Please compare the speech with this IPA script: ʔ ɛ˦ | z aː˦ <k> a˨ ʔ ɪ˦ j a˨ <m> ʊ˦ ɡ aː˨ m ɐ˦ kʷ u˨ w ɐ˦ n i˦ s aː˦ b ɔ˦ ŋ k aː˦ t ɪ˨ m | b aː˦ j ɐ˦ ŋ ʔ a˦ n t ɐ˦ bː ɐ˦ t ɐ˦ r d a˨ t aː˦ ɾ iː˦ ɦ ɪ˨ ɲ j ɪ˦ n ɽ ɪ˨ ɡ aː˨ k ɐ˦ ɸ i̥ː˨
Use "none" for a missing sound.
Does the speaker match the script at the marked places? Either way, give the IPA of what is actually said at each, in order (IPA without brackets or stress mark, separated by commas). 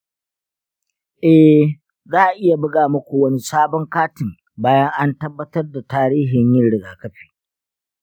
ʔ, b